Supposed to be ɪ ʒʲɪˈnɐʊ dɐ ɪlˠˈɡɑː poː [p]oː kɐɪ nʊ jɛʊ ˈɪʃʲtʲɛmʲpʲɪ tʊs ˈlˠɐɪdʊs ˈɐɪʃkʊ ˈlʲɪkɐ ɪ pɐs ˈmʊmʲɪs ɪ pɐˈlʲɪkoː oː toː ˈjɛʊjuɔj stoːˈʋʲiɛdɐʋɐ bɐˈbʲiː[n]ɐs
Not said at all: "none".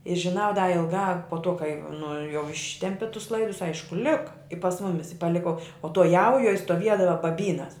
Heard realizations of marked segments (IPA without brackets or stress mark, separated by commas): t, n